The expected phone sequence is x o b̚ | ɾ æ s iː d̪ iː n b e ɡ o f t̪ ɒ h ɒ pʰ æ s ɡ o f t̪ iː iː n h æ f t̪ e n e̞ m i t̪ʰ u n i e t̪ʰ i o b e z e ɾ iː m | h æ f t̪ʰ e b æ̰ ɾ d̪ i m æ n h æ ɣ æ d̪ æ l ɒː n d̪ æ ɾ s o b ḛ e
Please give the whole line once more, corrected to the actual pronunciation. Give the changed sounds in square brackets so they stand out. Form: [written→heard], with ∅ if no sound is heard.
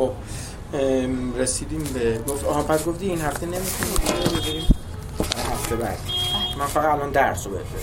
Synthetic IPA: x o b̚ | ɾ [æ→e] s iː d̪ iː [n→m] b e ɡ o f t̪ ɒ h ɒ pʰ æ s ɡ o f t̪ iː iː n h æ f t̪ e n e̞ m i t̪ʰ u n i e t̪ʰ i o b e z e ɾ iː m | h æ f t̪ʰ e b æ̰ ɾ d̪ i m æ n [h→f] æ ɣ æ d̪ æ l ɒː n d̪ æ ɾ s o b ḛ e